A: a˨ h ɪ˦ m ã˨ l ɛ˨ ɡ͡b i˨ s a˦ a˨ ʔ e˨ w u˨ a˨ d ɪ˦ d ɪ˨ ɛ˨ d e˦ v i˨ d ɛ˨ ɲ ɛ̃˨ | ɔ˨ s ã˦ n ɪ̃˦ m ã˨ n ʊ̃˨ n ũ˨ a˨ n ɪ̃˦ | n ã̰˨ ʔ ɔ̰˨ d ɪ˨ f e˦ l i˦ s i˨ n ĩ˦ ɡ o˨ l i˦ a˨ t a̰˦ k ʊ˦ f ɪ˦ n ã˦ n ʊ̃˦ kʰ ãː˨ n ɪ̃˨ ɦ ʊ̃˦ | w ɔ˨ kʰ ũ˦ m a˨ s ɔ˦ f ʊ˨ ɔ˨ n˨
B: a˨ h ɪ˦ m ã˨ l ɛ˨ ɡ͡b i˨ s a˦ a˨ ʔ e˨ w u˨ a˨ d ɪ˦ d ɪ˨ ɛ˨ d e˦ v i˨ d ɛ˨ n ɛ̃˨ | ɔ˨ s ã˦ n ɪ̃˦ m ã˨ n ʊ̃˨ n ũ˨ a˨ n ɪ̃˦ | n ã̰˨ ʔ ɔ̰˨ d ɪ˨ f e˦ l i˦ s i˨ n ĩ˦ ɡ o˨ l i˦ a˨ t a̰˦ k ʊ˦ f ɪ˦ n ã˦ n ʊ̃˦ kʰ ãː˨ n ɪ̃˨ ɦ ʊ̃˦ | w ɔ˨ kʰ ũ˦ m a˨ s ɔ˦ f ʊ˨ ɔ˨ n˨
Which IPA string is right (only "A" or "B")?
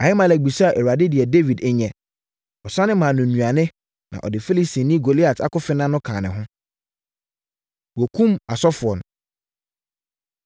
A